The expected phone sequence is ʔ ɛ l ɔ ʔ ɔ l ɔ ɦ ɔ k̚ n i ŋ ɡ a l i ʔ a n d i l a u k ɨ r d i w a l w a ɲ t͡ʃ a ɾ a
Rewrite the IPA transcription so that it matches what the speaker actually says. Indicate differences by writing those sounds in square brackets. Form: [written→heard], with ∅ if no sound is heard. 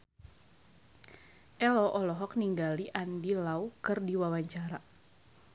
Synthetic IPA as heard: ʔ ɛ l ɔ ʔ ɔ l ɔ ɦ ɔ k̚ n i ŋ ɡ a l i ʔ a n d i l a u k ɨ r d i w a [l→∅] w a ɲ t͡ʃ a ɾ a